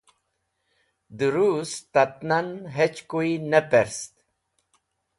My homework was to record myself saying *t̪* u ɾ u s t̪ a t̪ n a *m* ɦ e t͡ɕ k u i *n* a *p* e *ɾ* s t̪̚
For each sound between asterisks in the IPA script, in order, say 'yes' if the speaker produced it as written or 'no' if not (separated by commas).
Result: no, no, yes, yes, yes